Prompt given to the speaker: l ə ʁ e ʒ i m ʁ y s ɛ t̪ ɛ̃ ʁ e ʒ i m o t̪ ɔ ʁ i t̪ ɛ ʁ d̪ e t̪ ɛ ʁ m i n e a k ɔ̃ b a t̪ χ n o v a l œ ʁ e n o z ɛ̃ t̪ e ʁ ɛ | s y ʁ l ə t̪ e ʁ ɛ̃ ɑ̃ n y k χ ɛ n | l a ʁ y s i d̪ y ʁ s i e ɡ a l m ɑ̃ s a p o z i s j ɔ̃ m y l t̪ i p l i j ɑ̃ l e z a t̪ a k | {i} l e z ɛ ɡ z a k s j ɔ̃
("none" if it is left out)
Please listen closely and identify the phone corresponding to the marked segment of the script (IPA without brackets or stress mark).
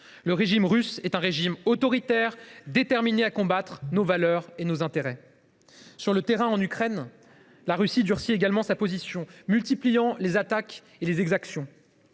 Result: e